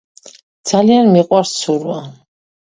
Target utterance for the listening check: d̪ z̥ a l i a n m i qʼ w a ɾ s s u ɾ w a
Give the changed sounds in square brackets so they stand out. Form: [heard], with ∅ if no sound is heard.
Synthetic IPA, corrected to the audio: d̪ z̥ a l i a n m i qʼ w a ɾ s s u ɾ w a